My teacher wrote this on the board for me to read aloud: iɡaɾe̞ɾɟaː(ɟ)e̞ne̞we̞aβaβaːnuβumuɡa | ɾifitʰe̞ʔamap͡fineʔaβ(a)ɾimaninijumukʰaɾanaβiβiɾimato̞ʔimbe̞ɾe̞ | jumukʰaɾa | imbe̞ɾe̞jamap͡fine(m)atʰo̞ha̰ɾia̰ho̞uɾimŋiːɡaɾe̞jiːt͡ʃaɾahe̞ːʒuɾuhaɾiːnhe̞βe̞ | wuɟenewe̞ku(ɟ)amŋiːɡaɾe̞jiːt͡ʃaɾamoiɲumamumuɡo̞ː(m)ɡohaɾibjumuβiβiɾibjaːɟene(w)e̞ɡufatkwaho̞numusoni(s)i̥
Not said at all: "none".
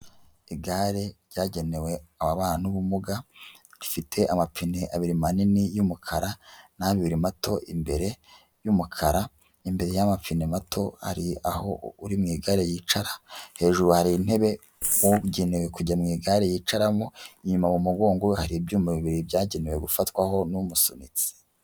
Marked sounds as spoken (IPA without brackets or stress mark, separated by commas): ɟ, i, m, ɟ, ŋ, w, t͡s